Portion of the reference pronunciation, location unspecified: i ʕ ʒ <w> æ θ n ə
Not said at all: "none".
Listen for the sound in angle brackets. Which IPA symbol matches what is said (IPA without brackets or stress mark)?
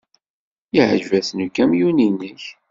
v